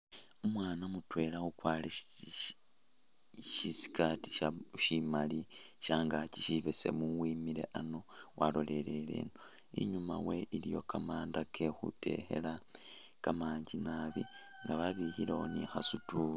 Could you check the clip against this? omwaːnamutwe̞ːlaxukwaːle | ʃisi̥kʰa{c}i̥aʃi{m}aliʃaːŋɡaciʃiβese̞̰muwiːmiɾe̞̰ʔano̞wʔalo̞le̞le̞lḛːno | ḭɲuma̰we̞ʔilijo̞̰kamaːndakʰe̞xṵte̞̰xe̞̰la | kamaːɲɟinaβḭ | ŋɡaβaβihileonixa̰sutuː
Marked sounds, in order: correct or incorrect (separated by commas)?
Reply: incorrect, correct